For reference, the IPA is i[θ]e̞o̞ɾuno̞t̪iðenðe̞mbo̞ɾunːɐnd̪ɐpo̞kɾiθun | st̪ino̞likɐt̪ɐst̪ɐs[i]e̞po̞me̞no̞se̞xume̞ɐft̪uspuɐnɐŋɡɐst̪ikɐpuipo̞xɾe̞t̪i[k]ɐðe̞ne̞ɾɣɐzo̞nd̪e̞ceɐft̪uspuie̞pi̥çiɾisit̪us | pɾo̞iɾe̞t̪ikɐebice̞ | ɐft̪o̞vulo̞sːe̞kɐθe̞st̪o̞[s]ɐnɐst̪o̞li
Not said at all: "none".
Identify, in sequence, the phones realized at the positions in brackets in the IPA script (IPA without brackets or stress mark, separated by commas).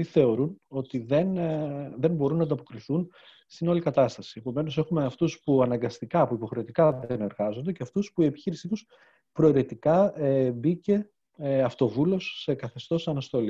θ, i, k, s